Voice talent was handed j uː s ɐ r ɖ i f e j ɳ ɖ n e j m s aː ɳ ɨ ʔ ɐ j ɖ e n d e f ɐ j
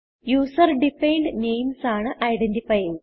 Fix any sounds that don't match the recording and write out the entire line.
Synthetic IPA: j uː s ɐ r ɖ i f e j ɳ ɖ n e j m s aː ɳ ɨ ʔ ɐ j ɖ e n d i f ɐ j

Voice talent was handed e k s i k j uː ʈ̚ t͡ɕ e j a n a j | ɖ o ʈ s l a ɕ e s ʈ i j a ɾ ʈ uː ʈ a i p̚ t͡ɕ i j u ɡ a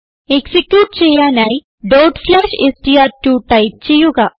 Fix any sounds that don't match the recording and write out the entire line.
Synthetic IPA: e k s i k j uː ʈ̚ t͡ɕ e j a n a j | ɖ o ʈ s l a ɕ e s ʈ i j a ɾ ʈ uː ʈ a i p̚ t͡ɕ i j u ɡ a

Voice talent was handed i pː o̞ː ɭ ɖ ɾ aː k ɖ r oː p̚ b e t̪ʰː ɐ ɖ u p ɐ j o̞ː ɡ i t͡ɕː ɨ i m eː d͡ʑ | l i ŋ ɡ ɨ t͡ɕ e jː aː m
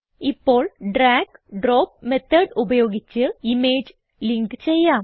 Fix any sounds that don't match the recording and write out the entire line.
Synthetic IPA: i pː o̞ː ɭ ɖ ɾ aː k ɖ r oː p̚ m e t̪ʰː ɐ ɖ u b ɐ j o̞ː ɡ i t͡ɕː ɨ i m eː d͡ʑ | l i ŋ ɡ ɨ t͡ɕ e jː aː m

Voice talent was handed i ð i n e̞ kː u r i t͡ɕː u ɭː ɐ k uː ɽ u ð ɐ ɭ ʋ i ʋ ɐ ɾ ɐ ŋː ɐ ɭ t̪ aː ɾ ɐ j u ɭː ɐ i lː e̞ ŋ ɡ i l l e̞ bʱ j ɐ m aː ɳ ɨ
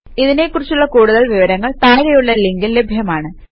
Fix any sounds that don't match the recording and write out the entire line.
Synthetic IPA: i ð i n e̞ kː u r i t͡ɕː u ɭː ɐ k uː ɽ u ð ɐ ɭ ʋ i ʋ ɐ ɾ ɐ ŋː ɐ ɭ t̪ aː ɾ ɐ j u ɭː ɐ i lː e̞ ŋ ɡ i l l e̞ bʱ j ɐ m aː ɳ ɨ

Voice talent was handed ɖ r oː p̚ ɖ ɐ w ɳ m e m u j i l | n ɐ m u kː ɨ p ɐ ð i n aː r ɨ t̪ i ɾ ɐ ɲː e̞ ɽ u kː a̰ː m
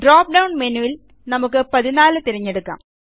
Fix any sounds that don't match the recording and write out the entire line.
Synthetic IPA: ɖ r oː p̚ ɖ ɐ w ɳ m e n u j i l | n ɐ m u kː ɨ p ɐ ð i n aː l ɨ t̪ i ɾ ɐ ɲː e̞ ɽ u kː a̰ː m

